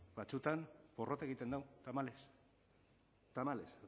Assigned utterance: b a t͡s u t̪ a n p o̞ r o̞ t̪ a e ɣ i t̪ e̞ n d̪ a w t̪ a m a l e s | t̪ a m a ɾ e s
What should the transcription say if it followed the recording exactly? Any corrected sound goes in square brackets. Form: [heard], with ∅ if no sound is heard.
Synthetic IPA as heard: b a t͡s u t̪ a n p o̞ r o̞ t̪ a e ɣ i t̪ e̞ n d̪ a w t̪ a m a l e s | t̪ a m a [l] e s